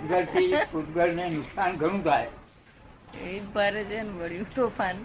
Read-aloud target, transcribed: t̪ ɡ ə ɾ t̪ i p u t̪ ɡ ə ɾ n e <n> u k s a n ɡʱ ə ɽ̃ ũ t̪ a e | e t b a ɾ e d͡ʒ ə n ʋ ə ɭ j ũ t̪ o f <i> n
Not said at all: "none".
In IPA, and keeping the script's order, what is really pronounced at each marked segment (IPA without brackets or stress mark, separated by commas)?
n, a